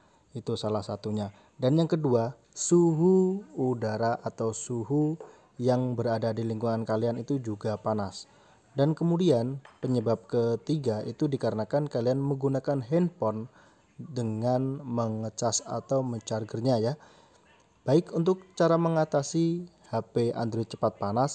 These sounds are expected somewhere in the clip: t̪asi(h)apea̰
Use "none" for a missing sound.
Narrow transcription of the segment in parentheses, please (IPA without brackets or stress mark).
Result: h